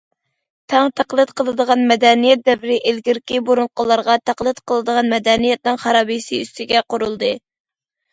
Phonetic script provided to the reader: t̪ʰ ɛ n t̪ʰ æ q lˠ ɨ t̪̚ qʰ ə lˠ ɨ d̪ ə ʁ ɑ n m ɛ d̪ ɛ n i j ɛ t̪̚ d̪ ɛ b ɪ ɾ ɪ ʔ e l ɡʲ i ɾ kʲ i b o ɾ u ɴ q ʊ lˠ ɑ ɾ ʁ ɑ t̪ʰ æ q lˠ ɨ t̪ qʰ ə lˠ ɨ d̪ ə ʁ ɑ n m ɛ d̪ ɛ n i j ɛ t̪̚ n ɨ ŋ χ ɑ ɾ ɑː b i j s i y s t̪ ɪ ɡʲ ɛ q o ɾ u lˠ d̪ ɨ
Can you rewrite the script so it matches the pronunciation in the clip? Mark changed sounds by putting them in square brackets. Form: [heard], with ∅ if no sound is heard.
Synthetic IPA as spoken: t̪ʰ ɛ [ŋ] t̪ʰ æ q lˠ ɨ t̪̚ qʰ ə lˠ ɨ d̪ ə ʁ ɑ n m ɛ d̪ ɛ n i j ɛ t̪̚ d̪ ɛ [v] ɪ ɾ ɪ ʔ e l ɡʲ i ɾ kʲ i b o ɾ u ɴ q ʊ lˠ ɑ ɾ ʁ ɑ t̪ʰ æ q lˠ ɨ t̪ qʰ ə lˠ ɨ d̪ ə ʁ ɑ n m ɛ d̪ ɛ n i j ɛ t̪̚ n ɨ ŋ χ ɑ ɾ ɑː b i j s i y s t̪ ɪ ɡʲ ɛ q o ɾ u lˠ d̪ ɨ

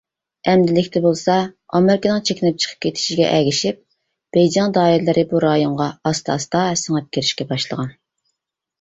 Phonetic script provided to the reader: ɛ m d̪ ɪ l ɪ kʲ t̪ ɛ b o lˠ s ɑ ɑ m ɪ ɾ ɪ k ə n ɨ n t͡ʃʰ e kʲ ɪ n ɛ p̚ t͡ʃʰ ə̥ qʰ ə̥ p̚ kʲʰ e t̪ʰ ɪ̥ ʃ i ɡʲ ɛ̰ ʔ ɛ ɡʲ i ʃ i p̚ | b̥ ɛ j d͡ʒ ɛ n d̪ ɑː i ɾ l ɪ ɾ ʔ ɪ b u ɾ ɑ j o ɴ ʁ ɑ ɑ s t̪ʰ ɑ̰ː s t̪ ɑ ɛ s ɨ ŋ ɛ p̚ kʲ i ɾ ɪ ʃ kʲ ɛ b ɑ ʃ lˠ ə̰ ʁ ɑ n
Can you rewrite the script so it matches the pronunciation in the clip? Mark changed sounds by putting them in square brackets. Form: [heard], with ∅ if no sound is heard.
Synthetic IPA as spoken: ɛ m d̪ ɪ l ɪ kʲ t̪ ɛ b o lˠ s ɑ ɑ m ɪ ɾ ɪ k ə n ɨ [ŋ] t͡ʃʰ e kʲ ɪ n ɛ p̚ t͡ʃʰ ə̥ qʰ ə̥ p̚ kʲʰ e t̪ʰ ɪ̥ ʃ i ɡʲ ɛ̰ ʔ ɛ ɡʲ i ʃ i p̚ | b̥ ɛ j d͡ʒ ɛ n d̪ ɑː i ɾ l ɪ ɾ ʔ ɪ b u ɾ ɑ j o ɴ ʁ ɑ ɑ s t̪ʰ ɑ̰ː s t̪ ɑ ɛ s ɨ ŋ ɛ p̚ kʲ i ɾ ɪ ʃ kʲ ɛ b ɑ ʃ lˠ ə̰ ʁ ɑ n

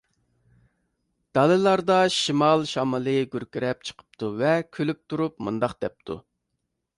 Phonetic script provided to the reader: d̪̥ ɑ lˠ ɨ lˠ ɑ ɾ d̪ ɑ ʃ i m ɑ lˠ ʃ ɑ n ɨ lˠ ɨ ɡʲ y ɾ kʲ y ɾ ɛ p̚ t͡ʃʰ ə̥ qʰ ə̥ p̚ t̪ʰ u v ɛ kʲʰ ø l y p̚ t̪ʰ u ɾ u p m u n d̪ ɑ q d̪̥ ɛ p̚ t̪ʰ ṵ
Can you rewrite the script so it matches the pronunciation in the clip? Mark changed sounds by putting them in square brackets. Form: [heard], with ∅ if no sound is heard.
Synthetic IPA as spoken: d̪̥ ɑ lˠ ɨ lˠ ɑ ɾ d̪ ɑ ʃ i m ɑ lˠ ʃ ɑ [m] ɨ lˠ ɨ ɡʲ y ɾ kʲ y ɾ ɛ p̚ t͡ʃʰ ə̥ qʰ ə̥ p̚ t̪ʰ u v ɛ kʲʰ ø l y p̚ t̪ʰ u ɾ u p m u n d̪ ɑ q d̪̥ ɛ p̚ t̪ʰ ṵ

